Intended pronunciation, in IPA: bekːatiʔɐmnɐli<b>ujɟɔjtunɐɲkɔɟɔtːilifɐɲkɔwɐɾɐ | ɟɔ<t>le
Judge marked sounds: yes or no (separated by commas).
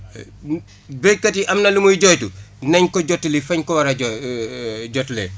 no, yes